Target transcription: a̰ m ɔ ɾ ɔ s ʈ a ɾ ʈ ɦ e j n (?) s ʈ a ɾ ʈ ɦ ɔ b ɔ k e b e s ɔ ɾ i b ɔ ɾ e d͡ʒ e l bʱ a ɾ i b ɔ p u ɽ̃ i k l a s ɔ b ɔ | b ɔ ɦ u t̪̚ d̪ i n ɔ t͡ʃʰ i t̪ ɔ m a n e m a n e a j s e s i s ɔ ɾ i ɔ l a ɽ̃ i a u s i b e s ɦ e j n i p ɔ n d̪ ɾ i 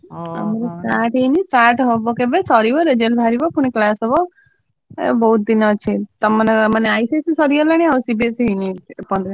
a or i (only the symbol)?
i